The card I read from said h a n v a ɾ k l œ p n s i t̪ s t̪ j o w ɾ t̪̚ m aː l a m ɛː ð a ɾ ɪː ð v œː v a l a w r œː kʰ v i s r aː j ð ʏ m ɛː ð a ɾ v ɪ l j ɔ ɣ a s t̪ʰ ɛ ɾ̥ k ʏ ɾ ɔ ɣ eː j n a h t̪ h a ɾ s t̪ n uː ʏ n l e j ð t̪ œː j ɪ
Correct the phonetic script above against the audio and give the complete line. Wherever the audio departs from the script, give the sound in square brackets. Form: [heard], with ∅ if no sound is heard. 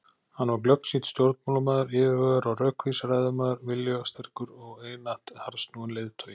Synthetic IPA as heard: h a n v a ɾ k l œ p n s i t̪ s t̪ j o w ɾ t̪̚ m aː l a m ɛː ð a ɾ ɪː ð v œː [ɣ] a [ɾ] a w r œː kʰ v i s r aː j ð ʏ m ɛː ð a ɾ v ɪ l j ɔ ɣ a s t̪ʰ ɛ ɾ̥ k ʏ ɾ ɔ ɣ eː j n a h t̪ h a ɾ s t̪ n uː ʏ n l e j ð [t̪ʰ] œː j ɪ

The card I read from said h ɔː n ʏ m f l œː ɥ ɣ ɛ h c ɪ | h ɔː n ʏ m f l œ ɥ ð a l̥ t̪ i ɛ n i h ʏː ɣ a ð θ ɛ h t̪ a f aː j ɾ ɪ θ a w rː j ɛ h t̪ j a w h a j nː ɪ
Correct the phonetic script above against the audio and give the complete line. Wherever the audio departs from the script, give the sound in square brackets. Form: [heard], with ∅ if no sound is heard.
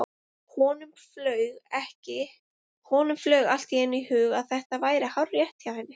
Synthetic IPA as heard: h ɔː n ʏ m f l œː ɥ ɣ ɛ h c ɪ | h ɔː n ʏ m f l œ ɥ [ɣ] a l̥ t̪ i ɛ n i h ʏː ɣ a ð θ ɛ h t̪ a [v] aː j ɾ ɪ [h] a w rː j ɛ h t̪ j a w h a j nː ɪ

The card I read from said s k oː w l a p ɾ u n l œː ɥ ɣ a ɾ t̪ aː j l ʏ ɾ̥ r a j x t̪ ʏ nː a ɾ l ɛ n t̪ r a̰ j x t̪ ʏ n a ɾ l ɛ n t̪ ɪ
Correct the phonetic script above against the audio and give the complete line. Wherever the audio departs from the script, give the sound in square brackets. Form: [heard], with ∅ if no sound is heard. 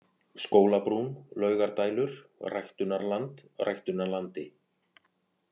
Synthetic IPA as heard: s k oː w l a p ɾ u n l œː ɥ ɣ a ɾ t̪ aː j l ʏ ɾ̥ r a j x t̪ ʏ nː a ɾ l [a] n t̪ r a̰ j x t̪ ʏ n a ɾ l [a] n t̪ ɪ

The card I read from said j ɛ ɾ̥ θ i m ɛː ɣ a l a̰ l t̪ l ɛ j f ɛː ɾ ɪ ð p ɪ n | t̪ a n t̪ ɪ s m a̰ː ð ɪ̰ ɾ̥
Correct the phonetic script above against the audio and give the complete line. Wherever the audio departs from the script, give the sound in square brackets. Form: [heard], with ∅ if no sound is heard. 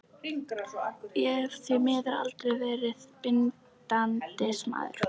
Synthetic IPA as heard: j ɛ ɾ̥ θ i m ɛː [ð] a [ɾ] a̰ l t̪ [ɾ] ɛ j [v] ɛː ɾ ɪ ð p ɪ n | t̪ a n t̪ ɪ s m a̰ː ð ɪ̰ ɾ̥

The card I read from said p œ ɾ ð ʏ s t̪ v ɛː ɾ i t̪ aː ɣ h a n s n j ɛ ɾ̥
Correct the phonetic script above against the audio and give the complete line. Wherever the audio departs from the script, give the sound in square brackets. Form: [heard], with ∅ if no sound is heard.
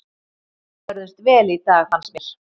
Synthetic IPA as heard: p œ ɾ ð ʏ s t̪ v ɛː [l] i t̪ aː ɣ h a n s [m] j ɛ ɾ̥

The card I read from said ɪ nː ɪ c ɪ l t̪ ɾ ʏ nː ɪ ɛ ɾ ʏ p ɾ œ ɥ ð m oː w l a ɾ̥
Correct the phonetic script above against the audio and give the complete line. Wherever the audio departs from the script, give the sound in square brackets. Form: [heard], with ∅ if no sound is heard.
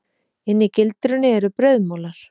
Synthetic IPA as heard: ɪ nː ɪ c ɪ l t̪ ɾ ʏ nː ɪ ɛ ɾ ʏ p ɾ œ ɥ ð m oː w l a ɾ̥

